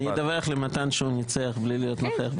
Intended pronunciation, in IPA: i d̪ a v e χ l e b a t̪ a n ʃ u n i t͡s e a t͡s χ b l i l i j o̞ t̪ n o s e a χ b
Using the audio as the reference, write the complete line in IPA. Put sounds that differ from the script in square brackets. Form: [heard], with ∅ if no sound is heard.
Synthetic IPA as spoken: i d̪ a v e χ l e [m] a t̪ a n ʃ u n i t͡s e a [∅] χ b l i l i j o̞ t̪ n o [χ] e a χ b